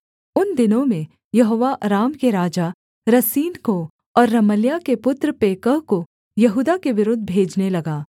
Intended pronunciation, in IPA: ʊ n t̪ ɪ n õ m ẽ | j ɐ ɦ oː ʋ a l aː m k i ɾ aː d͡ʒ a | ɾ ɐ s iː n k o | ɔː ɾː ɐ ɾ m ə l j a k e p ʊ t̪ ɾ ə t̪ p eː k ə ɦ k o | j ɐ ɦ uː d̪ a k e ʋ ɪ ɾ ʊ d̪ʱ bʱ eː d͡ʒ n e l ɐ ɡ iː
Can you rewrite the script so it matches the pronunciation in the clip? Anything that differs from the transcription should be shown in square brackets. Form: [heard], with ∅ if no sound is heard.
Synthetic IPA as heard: ʊ n [d̪] ɪ n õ m ẽ | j ɐ ɦ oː ʋ a [ɾ] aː m k [e] ɾ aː d͡ʒ a | ɾ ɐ s iː n k o | ɔː ɾː ɐ [∅] m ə l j a k e p ʊ t̪ ɾ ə [∅] p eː k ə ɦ k o | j ɐ ɦ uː d̪ a k e ʋ ɪ ɾ ʊ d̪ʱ bʱ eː d͡ʒ n e l ɐ ɡ [aː]